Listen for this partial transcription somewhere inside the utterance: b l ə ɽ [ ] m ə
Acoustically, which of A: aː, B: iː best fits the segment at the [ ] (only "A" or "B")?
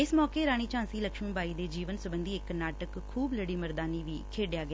B